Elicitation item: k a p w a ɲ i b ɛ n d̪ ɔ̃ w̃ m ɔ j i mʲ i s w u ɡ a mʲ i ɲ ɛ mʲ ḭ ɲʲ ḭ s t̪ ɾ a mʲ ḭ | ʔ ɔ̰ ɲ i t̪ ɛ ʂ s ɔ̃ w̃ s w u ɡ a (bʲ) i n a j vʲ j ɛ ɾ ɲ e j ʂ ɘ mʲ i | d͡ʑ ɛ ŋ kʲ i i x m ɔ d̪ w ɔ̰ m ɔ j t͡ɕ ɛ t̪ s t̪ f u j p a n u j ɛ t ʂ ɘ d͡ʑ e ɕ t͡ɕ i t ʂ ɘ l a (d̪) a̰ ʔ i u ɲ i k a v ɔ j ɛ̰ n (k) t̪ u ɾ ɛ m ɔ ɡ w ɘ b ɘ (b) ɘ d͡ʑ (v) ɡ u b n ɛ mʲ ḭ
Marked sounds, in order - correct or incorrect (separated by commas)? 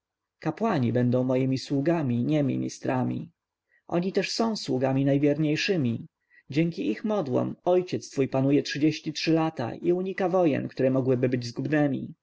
incorrect, incorrect, correct, correct, incorrect